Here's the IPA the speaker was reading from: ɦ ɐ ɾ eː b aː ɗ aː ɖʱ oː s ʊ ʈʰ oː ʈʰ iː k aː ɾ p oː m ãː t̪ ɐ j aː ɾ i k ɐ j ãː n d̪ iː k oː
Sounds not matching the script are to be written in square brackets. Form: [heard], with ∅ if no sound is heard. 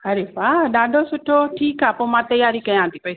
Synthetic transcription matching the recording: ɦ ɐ ɾ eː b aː ɗ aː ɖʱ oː s ʊ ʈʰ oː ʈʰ iː k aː [∅] p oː m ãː t̪ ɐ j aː ɾ i k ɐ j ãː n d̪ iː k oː